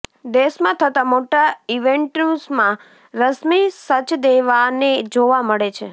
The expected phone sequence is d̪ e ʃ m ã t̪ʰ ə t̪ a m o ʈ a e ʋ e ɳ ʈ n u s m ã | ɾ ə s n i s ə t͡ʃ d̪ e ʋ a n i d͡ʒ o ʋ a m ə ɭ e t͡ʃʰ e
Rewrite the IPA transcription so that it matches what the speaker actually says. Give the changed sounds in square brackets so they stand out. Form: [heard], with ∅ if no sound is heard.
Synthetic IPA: d̪ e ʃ m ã t̪ʰ ə t̪ a m o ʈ a [i] ʋ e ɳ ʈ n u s m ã | ɾ ə s [m] i s ə t͡ʃ d̪ e ʋ a n [e] d͡ʒ o ʋ a m ə ɭ e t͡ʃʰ e